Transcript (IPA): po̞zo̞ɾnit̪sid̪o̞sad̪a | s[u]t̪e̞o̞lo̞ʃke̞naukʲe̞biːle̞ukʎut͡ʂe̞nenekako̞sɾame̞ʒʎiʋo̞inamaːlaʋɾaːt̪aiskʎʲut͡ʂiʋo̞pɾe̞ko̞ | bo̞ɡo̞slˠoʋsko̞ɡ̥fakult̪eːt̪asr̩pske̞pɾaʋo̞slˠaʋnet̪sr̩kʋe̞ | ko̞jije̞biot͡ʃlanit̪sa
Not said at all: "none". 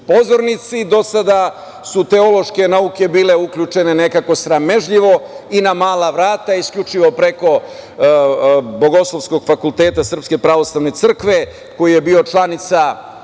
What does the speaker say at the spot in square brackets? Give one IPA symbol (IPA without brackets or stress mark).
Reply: u